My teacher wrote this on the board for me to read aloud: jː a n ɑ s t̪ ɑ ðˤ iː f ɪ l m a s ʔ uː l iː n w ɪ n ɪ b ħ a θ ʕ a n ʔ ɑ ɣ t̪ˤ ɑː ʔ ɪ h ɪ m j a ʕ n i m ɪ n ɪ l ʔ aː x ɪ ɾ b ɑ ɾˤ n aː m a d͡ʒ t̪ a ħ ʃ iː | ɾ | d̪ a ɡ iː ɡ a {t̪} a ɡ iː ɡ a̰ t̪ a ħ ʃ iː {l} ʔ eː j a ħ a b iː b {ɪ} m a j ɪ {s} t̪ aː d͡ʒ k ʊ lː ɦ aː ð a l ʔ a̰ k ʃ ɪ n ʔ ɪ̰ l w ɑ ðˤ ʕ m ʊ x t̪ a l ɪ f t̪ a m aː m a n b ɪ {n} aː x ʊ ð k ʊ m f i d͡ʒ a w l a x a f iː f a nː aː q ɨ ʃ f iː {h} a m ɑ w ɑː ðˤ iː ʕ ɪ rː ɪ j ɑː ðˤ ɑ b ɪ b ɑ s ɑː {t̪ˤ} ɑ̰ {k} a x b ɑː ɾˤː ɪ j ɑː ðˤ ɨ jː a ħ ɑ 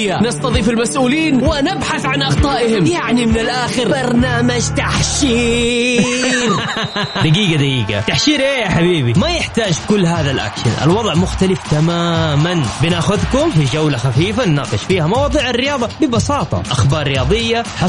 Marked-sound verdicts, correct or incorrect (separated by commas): incorrect, incorrect, incorrect, incorrect, correct, correct, correct, incorrect